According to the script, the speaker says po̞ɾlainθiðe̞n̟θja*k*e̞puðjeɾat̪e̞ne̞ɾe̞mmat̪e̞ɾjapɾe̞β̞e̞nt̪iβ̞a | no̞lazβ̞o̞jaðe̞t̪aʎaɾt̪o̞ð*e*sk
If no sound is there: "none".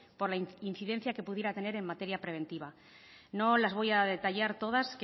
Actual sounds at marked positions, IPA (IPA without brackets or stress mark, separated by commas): k, a